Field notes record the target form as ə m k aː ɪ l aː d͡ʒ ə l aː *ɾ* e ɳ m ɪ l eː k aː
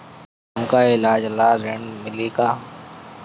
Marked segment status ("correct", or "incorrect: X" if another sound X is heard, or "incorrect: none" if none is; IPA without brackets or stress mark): correct